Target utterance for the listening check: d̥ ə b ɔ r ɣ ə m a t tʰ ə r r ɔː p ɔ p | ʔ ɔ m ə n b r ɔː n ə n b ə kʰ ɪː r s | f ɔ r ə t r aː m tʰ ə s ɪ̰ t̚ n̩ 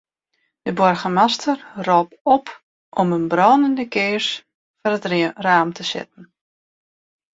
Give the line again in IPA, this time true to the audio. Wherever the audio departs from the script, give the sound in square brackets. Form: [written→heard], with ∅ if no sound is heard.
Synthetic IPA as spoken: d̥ ə b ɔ r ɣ ə m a [t→s] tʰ ə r r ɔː p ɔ p | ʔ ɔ m ə n b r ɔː n ə n [b→d] ə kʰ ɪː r s | f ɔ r ə t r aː m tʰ ə s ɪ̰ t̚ n̩